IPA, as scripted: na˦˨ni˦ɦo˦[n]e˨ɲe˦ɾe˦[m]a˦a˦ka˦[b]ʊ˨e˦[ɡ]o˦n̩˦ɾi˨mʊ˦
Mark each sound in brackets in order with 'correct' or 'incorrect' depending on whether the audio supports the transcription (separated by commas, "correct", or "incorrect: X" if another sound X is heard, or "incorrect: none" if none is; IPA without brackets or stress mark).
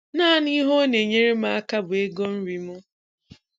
correct, correct, correct, correct